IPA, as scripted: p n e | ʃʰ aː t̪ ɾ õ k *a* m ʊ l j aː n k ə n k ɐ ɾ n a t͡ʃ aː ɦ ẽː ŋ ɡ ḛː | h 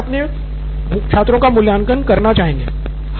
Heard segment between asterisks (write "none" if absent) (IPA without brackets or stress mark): a